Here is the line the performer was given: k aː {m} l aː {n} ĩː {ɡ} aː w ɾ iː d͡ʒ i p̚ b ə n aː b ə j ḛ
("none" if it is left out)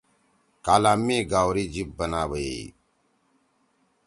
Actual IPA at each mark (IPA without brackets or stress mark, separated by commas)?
none, m, ɡ